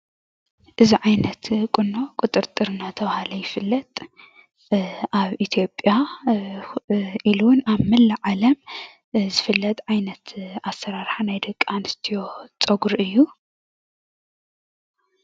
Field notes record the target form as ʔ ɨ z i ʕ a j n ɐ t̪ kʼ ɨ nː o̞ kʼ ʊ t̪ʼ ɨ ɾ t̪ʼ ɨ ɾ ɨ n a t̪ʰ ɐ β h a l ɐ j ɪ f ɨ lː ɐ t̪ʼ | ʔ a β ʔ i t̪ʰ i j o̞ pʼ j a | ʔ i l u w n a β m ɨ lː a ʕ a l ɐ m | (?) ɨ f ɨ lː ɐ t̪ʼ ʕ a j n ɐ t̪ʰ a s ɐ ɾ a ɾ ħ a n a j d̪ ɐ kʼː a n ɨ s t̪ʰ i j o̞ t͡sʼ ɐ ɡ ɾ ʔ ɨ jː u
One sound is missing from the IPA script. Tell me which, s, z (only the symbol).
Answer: z